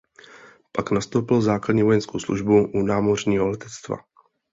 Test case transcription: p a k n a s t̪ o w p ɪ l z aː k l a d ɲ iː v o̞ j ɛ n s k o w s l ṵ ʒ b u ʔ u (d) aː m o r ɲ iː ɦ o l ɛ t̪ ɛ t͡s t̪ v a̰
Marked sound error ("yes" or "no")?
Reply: yes